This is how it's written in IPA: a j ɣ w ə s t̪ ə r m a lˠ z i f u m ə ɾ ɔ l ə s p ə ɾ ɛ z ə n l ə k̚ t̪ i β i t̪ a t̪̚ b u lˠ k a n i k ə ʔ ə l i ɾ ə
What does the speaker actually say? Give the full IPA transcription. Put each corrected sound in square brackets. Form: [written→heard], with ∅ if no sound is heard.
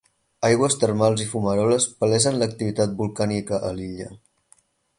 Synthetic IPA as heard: a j ɣ w ə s t̪ ə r m a lˠ z i f u m ə ɾ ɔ l ə s p ə [ɾ→l] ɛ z ə n l ə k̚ t̪ i β i t̪ a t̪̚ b u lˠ k a n i k ə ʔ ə l i [ɾ→ʎ] ə